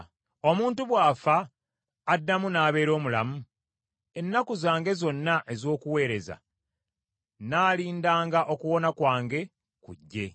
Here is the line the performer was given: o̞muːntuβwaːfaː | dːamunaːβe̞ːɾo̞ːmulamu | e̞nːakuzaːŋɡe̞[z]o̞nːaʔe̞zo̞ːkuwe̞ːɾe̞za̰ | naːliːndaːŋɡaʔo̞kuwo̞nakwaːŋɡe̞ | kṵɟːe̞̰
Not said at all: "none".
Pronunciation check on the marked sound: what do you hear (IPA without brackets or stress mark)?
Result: z